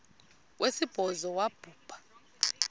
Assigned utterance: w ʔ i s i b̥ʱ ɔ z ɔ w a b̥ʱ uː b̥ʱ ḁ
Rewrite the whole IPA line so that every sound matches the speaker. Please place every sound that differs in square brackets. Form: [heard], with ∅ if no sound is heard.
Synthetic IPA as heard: w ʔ [e] s i b̥ʱ ɔ z ɔ w a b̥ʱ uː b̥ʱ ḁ